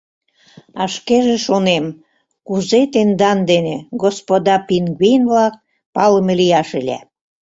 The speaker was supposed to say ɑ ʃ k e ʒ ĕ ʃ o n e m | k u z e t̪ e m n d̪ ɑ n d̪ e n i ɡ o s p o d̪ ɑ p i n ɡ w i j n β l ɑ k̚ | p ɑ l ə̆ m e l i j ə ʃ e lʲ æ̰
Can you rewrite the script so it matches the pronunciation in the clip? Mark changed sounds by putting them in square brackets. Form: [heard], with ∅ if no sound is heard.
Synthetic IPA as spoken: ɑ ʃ k e ʒ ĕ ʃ o n e m | k u z e t̪ e [∅] n d̪ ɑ n d̪ e n [e] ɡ o s p o d̪ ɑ p i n ɡ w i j n β l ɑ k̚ | p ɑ l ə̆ m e l i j [ɑ] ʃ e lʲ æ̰